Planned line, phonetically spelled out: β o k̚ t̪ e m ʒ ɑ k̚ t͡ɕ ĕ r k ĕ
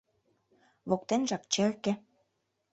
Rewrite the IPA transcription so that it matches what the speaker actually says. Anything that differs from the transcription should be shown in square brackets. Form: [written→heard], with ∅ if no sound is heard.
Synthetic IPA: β o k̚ t̪ e [m→n] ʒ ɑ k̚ t͡ɕ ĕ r k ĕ